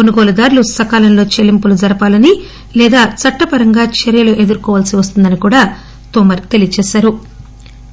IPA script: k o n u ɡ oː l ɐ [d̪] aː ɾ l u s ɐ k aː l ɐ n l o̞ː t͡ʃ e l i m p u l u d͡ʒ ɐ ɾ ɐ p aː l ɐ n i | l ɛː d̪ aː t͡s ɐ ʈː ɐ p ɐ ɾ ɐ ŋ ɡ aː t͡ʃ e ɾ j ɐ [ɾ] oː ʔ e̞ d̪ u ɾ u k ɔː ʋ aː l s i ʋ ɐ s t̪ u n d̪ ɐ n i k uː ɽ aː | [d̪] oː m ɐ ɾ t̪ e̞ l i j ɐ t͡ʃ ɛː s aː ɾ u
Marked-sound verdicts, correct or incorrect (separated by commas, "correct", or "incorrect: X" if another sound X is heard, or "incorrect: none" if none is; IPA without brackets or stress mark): correct, incorrect: l, incorrect: t̪